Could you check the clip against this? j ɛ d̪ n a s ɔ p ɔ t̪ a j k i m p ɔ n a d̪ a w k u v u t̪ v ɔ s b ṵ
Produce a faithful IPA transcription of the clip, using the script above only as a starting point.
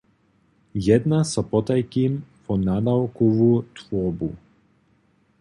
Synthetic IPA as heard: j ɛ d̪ n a s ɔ p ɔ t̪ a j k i m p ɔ n a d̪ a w k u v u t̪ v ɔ b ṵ